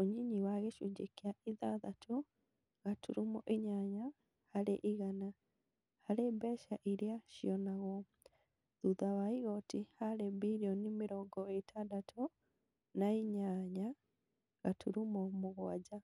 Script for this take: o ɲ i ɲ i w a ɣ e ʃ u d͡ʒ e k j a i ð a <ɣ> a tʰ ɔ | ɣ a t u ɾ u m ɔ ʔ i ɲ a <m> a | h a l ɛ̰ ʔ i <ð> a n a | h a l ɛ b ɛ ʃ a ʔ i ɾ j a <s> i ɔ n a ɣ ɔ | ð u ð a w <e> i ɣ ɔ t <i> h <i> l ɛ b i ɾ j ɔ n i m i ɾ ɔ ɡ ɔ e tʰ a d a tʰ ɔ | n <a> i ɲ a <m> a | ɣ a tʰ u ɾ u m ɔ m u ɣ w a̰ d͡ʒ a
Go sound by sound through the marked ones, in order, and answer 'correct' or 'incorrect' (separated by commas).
incorrect, incorrect, incorrect, incorrect, incorrect, correct, incorrect, correct, incorrect